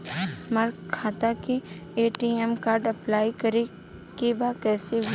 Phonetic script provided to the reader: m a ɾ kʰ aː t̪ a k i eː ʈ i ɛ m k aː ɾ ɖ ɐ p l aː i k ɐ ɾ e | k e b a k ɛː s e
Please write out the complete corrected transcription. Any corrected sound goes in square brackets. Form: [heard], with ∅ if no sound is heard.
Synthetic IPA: m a ɾ kʰ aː t̪ a k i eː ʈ i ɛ m k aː ɾ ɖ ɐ p l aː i k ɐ ɾ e | k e b a k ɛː s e